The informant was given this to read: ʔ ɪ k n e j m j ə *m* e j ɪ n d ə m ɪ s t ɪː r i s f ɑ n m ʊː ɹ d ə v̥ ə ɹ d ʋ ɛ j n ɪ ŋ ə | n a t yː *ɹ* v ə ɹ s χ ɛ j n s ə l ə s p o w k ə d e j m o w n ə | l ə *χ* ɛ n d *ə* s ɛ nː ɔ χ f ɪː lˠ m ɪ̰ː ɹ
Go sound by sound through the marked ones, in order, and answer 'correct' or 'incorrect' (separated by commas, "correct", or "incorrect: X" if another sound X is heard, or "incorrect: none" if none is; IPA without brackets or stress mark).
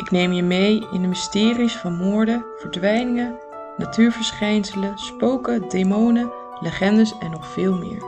correct, correct, correct, correct